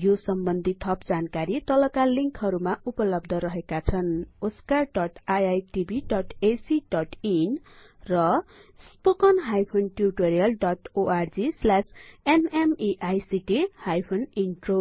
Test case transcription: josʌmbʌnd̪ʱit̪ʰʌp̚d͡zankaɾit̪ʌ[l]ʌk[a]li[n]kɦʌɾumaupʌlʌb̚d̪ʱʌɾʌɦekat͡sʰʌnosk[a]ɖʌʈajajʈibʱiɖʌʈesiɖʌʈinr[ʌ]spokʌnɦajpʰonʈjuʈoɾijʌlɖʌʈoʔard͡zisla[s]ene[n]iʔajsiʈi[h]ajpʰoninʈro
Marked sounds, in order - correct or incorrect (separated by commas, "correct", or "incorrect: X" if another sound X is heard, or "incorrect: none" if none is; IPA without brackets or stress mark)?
correct, correct, incorrect: ŋ, correct, correct, correct, incorrect: m, correct